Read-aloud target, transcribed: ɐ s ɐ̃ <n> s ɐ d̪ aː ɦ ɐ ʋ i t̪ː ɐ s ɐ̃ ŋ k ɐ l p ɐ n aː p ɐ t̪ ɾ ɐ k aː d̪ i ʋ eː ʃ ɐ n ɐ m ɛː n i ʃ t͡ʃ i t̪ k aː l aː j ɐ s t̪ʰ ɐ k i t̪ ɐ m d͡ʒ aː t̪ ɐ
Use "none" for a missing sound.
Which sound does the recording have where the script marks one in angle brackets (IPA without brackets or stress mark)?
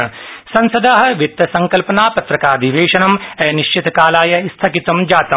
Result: n